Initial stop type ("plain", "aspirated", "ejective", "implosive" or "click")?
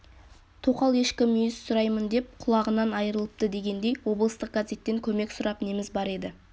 aspirated